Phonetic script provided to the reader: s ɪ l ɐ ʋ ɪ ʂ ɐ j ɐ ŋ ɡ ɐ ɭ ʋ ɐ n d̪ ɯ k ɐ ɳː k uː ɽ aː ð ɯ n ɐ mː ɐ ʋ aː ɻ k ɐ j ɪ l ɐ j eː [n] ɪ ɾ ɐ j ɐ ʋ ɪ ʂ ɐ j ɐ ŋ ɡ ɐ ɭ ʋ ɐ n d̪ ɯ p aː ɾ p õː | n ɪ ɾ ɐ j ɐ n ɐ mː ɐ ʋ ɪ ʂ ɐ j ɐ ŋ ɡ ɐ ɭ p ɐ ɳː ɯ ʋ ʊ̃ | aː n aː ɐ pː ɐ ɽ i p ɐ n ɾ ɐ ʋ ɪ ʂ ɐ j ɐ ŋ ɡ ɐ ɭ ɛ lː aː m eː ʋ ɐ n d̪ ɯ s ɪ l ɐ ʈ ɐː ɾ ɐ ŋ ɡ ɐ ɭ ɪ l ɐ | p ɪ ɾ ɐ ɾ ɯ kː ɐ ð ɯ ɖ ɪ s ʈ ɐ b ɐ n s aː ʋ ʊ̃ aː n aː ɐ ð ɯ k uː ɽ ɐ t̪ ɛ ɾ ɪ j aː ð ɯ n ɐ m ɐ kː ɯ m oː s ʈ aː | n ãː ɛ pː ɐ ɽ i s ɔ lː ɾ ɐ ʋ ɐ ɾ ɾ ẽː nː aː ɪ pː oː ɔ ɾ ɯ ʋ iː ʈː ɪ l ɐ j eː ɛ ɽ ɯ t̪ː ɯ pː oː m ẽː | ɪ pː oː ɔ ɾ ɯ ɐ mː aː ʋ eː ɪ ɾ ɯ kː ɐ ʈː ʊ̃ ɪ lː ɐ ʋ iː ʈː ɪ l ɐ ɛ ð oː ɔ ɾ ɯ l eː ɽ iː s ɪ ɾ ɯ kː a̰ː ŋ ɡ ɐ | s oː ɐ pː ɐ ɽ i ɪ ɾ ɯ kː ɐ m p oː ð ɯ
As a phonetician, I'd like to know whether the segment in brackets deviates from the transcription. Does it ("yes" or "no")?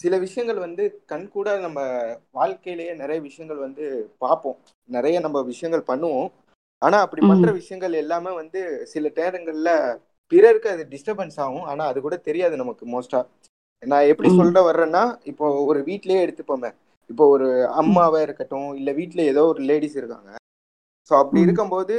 no